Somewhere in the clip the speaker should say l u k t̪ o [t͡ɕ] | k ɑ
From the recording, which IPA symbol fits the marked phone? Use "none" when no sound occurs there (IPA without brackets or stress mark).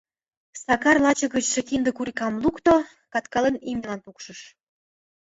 none